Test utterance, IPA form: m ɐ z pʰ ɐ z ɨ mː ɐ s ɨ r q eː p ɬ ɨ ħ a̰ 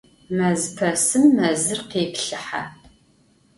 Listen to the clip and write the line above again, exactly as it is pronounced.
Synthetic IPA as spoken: m ɐ z pʰ ɐ s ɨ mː ɐ z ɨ r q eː p ɬ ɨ ħ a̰